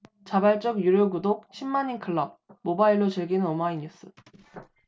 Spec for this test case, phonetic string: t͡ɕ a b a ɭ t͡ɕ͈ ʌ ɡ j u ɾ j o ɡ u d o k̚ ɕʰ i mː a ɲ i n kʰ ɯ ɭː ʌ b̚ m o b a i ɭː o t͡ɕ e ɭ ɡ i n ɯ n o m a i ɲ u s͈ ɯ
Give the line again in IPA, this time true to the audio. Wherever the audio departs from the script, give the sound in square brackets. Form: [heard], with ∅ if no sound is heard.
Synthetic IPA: t͡ɕ a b a ɭ t͡ɕ͈ ʌ ɡ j u ɾ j o ɡ u d o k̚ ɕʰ i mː a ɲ i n kʰ ɯ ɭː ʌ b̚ m o b a i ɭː o t͡ɕ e ɭ ɡ i n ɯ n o m a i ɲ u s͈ ɯ